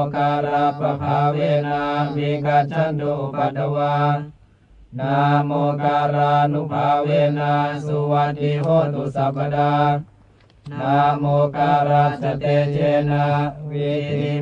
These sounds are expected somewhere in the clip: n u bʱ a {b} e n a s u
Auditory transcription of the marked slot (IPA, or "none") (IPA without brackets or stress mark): w